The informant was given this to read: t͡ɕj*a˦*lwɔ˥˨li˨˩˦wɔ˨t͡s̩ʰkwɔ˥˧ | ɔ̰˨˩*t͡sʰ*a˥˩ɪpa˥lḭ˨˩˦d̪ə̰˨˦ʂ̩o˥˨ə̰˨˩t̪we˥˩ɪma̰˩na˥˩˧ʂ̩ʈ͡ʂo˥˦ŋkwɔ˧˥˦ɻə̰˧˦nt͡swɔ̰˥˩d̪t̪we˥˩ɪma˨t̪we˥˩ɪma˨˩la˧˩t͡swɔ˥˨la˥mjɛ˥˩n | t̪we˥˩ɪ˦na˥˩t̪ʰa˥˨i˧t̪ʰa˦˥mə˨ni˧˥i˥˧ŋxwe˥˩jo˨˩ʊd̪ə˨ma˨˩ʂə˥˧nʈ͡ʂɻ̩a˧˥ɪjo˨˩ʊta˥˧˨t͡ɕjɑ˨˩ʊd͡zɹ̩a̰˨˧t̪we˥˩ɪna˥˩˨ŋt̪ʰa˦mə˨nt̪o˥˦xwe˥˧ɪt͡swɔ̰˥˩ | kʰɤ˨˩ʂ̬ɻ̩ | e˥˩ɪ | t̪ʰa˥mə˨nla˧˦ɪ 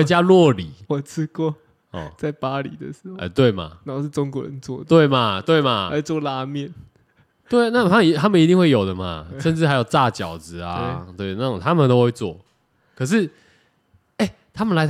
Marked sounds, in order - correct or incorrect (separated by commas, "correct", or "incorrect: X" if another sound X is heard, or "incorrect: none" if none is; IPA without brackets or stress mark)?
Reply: correct, incorrect: t͡s